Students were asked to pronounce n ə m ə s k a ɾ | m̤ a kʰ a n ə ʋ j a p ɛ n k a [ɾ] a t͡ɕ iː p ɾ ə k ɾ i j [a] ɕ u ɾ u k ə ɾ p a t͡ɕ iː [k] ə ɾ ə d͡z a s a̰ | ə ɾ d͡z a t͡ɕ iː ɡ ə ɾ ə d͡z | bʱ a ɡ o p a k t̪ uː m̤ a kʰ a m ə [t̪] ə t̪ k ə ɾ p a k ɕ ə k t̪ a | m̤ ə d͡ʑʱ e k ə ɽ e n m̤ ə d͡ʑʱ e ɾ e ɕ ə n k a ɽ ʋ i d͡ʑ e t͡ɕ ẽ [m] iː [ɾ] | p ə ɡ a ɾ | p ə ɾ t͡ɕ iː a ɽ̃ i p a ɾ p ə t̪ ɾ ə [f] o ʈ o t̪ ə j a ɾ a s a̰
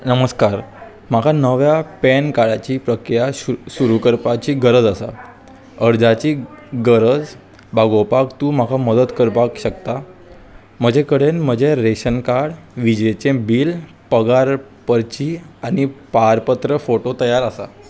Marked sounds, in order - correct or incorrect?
incorrect: ɽ, correct, incorrect: ɡ, incorrect: d̪, incorrect: b, incorrect: l, correct

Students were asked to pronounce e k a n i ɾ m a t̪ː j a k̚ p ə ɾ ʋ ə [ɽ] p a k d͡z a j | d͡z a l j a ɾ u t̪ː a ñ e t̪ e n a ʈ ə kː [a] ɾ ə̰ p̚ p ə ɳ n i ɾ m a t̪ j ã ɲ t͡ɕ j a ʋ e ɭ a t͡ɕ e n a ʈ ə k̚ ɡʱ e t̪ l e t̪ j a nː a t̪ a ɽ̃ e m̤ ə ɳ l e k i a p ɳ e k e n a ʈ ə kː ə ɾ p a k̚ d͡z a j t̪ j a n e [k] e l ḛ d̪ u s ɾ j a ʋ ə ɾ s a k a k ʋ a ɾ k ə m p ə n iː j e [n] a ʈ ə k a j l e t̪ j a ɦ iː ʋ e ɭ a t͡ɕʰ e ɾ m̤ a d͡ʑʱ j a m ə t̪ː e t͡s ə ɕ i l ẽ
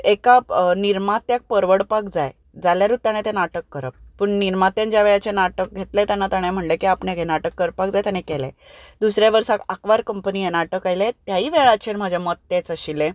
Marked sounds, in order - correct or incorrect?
correct, incorrect: ə, correct, correct

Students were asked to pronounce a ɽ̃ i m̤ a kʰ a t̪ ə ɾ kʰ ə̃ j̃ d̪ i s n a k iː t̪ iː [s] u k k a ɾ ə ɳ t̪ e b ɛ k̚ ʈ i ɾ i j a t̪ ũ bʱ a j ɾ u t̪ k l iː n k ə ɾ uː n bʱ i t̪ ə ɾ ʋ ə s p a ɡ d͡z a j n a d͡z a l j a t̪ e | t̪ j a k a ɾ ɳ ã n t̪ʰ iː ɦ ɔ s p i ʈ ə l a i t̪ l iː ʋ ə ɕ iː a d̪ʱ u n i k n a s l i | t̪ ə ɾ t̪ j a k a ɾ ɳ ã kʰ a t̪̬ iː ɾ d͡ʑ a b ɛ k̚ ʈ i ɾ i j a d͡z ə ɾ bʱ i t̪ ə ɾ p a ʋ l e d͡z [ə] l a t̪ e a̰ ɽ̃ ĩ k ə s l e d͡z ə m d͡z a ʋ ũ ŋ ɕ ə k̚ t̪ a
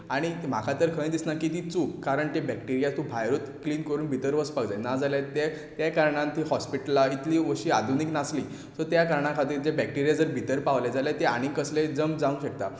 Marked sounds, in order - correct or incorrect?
incorrect: t͡s, incorrect: a

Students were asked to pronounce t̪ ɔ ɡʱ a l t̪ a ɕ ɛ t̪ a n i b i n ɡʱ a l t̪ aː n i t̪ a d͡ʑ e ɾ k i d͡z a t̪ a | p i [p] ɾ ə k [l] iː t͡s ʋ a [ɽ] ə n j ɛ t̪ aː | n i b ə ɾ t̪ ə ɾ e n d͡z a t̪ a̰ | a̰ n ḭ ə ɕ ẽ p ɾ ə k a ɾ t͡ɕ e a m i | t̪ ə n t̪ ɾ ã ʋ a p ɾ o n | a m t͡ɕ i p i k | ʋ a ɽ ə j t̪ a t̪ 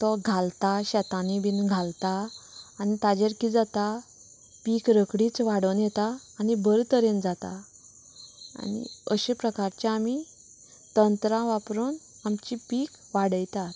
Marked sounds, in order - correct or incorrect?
incorrect: k, incorrect: ɽ, correct

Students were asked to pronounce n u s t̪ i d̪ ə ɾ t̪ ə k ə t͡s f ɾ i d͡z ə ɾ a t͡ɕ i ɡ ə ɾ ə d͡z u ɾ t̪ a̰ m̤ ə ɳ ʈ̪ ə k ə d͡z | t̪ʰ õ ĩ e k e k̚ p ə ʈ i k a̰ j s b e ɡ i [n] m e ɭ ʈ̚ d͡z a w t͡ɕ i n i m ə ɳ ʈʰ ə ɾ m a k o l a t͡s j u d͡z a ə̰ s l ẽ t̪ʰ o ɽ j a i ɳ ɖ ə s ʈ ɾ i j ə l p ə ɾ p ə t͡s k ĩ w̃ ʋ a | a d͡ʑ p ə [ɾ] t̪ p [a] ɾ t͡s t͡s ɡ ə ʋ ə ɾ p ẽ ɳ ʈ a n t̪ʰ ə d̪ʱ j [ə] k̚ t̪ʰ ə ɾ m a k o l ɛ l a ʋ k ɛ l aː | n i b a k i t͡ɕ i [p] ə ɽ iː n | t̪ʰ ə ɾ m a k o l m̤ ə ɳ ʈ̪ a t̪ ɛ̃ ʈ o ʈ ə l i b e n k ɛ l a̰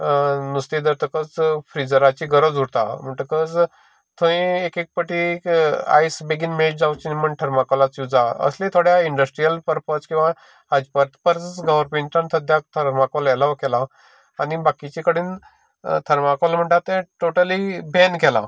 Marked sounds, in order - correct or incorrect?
correct, correct, incorrect: ə, incorrect: a, incorrect: k

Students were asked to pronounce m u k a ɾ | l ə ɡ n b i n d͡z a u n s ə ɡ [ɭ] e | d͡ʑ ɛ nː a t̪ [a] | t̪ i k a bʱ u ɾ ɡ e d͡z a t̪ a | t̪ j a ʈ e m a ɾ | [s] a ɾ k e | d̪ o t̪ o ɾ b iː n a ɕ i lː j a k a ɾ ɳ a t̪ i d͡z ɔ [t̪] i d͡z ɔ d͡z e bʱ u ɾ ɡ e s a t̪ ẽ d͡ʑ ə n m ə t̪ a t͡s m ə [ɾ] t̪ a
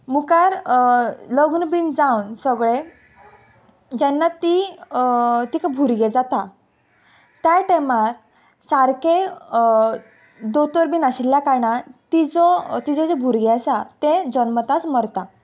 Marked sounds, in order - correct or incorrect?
correct, incorrect: i, correct, correct, correct

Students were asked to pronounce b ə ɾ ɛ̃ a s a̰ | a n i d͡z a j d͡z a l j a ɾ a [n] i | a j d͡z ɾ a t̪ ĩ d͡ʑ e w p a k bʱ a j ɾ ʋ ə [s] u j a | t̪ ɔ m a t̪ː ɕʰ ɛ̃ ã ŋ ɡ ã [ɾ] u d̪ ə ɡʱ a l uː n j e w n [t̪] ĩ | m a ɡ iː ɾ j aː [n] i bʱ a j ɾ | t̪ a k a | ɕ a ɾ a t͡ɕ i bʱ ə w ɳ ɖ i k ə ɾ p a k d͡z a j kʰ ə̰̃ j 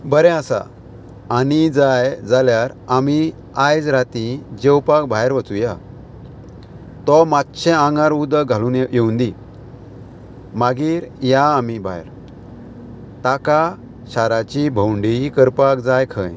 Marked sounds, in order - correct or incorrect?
incorrect: m, incorrect: t͡s, correct, incorrect: d̪, incorrect: m

